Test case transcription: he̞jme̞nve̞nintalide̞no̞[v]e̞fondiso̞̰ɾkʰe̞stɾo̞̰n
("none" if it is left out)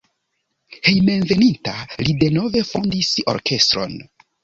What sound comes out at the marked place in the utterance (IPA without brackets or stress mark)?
v